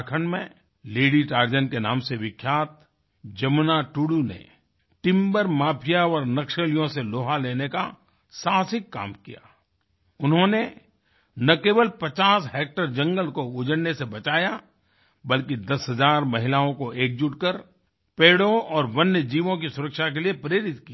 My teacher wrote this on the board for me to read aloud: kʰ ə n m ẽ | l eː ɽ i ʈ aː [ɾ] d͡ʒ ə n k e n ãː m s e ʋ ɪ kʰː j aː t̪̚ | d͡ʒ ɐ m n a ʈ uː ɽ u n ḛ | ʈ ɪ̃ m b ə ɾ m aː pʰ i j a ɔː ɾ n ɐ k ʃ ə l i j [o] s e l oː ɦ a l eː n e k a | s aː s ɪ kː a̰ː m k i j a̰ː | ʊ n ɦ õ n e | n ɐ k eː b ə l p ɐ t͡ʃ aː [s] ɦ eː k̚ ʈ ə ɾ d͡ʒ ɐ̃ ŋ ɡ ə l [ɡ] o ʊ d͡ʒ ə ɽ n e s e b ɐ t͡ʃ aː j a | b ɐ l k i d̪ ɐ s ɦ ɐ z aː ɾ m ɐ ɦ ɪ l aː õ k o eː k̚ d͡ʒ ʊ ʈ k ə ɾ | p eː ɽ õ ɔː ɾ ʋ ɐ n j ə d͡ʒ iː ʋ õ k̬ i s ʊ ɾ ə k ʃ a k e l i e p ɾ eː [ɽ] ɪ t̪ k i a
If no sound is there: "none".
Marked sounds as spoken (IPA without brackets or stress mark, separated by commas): ɾ, õ, s, k, ɾ